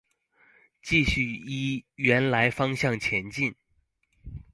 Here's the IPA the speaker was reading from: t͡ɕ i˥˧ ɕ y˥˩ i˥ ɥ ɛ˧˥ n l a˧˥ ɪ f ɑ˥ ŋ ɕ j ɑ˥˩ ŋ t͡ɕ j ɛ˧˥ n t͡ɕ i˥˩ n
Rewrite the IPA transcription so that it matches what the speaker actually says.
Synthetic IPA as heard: t͡ɕ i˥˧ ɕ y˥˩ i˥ ɥ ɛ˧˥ n l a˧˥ ɪ f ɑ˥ ŋ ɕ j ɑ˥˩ ŋ t͡ɕʰ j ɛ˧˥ n t͡ɕ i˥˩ n